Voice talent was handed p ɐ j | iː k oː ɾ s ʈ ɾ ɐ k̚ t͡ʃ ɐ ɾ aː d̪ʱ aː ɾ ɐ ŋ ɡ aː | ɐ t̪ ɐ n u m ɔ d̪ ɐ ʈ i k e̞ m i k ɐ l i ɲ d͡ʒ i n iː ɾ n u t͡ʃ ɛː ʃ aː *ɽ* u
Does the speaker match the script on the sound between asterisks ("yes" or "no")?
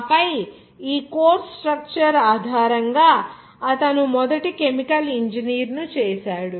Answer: yes